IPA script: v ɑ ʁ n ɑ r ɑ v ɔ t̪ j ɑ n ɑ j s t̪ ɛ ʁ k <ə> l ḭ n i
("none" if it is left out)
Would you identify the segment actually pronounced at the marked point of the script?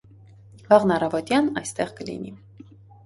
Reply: ə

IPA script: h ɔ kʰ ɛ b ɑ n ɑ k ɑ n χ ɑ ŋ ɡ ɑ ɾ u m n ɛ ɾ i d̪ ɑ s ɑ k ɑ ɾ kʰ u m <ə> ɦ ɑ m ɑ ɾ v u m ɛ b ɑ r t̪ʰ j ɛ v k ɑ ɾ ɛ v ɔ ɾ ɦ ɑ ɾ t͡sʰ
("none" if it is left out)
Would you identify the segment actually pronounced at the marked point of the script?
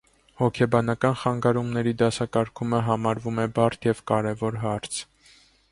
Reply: ə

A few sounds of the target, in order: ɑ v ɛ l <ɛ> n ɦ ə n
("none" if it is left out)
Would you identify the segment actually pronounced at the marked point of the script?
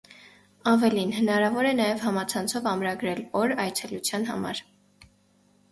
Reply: i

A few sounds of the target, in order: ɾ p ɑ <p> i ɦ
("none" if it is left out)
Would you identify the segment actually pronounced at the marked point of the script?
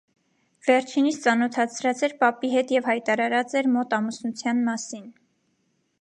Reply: p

